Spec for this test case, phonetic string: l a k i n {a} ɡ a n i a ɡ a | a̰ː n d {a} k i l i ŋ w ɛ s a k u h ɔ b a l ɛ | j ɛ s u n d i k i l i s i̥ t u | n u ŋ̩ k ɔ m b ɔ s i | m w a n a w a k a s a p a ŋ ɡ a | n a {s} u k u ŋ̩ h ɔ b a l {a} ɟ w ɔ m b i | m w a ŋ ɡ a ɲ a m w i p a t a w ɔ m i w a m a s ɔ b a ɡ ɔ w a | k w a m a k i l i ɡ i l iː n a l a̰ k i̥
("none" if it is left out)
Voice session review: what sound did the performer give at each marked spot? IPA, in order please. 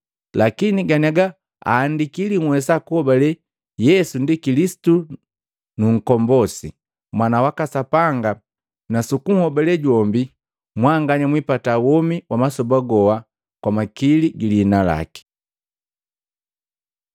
i, i, s, ɛ

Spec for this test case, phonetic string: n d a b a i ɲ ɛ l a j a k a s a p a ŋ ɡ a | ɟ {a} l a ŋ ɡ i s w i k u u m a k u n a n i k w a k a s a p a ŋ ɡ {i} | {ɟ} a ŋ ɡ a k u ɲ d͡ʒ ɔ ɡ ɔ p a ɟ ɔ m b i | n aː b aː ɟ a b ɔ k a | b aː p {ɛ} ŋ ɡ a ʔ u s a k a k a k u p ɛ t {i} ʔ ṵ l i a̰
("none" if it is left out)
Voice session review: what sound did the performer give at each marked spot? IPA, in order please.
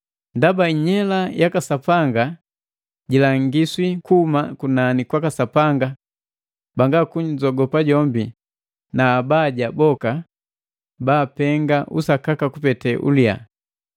i, a, b, ɛ, ɛ

